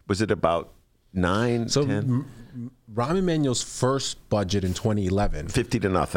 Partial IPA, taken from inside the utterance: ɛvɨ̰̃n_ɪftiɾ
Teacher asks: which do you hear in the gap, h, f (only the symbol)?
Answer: f